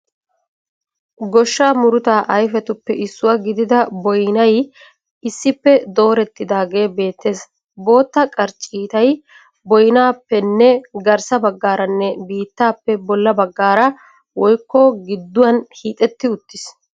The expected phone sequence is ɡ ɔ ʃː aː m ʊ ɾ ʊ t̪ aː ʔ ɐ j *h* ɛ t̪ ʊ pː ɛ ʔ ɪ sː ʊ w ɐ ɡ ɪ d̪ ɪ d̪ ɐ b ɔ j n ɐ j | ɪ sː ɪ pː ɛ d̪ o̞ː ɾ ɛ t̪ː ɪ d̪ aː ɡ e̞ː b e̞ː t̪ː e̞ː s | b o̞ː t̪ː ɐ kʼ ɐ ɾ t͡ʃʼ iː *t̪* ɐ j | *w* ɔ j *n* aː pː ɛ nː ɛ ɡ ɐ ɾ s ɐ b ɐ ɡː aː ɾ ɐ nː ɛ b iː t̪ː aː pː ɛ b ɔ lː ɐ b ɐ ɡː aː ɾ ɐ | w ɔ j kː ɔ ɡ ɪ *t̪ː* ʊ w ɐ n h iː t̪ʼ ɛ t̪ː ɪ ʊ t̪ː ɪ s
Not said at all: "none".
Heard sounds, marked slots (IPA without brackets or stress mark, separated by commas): f, t̪, b, n, d̪ː